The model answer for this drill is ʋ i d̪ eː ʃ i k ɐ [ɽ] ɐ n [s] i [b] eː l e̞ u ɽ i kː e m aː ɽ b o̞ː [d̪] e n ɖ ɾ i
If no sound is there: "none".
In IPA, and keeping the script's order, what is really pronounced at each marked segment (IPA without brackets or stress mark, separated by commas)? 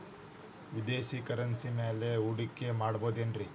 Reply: ɾ, s, m, d̪